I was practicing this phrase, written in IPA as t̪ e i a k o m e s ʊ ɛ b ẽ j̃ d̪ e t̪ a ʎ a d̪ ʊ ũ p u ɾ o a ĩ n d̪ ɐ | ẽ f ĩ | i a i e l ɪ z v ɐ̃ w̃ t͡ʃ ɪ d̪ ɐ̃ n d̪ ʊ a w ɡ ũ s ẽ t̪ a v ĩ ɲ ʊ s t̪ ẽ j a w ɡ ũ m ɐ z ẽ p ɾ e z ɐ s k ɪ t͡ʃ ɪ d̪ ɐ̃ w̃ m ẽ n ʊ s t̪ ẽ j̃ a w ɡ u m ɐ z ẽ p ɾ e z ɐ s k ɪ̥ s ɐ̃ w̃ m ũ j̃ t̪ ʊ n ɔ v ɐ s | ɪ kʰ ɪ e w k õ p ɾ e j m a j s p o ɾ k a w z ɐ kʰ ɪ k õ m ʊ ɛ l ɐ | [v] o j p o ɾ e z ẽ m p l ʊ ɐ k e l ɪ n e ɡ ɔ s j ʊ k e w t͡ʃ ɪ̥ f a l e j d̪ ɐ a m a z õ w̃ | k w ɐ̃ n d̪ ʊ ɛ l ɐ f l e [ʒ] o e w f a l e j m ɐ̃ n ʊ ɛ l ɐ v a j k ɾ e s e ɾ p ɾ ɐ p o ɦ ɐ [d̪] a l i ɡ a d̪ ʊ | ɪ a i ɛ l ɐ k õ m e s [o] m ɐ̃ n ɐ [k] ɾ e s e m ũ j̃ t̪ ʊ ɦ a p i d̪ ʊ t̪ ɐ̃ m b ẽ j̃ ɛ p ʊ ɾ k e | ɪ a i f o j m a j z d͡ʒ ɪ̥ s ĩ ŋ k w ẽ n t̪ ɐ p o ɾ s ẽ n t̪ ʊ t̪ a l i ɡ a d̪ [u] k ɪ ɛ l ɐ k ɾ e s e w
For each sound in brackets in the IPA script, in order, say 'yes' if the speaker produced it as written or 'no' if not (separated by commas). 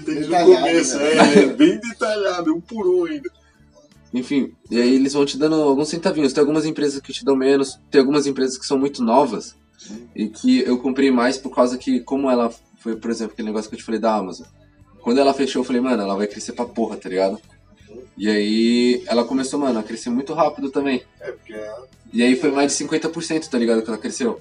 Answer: no, no, no, yes, yes, no